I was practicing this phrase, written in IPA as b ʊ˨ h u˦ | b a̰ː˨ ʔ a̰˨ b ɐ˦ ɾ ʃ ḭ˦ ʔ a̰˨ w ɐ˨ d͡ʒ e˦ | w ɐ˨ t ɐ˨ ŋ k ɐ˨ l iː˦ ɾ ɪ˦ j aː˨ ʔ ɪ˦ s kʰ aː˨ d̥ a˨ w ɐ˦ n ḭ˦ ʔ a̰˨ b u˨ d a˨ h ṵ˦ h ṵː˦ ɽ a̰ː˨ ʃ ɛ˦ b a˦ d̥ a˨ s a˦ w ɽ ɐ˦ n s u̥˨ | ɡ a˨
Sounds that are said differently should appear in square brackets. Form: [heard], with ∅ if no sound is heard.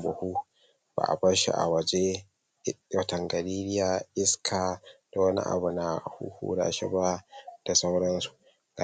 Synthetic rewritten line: b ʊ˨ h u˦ | b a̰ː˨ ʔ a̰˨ b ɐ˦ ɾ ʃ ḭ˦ ʔ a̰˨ w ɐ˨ d͡ʒ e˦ | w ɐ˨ t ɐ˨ ŋ [ɡ] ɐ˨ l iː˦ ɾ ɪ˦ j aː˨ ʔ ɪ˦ s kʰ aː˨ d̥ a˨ w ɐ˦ n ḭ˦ ʔ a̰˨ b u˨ [n] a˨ h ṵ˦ h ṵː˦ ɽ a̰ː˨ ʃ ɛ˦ b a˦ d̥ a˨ s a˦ w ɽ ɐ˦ n s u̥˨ | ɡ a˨